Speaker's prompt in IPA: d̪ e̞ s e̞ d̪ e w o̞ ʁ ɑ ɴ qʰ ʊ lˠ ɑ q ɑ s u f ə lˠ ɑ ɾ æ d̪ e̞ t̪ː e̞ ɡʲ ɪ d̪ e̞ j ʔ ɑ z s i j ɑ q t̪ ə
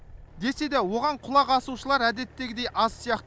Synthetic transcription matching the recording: d̪ e̞ s e̞ d̪ e w o̞ ʁ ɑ ɴ qʰ ʊ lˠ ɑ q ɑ s u ʃ ə lˠ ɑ ɾ æ d̪ e̞ t̪ː e̞ ɡʲ ɪ d̪ e̞ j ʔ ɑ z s i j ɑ q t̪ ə